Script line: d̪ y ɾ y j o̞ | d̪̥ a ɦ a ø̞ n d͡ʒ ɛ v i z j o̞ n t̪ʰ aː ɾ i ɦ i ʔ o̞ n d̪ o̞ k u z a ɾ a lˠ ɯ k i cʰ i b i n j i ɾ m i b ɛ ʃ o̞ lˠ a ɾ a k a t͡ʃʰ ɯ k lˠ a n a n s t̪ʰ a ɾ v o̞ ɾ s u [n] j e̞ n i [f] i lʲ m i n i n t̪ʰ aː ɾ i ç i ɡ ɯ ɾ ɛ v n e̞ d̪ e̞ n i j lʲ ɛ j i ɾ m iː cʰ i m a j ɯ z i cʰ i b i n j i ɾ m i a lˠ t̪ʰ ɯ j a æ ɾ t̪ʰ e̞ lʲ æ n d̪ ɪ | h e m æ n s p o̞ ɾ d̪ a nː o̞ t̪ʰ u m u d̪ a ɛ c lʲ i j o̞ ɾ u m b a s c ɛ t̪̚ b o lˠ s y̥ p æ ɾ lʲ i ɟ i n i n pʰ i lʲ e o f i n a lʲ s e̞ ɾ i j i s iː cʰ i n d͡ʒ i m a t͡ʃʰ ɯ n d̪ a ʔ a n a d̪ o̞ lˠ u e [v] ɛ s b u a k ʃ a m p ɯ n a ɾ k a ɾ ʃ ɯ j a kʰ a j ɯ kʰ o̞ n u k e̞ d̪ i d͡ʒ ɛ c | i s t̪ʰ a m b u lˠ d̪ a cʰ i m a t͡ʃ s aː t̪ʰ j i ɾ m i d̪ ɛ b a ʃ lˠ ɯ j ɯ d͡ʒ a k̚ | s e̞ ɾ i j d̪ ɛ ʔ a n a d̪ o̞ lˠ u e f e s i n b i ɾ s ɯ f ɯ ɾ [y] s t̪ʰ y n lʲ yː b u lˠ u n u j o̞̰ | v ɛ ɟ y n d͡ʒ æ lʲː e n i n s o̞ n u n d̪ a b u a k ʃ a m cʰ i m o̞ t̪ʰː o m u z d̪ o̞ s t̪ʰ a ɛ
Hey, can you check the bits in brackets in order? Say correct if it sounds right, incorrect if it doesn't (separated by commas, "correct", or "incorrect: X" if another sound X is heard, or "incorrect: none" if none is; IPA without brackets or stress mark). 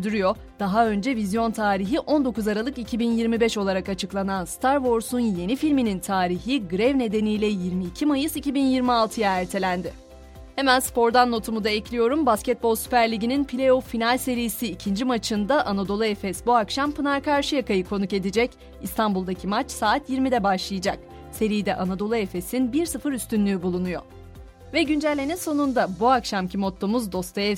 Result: correct, correct, incorrect: f, correct